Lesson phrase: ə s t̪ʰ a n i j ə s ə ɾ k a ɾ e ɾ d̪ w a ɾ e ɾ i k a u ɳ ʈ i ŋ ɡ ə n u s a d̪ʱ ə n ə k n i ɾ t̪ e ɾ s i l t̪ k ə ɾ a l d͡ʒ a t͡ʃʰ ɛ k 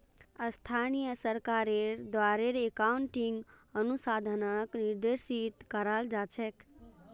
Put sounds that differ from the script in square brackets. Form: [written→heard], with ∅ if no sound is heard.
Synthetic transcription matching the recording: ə s t̪ʰ a n i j ə s ə ɾ k a ɾ e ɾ d̪ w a ɾ e ɾ [i→e] k a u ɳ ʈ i ŋ ɡ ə n u s a d̪ʱ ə n ə k n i ɾ [t̪→d̪] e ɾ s i [l→∅] t̪ k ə ɾ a l d͡ʒ a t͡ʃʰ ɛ k